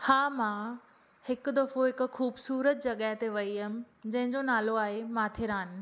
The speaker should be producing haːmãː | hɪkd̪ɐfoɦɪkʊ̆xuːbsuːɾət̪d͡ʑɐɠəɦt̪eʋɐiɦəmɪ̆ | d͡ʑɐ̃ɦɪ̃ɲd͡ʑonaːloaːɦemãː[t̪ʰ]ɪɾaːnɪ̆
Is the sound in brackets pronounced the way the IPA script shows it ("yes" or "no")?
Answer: yes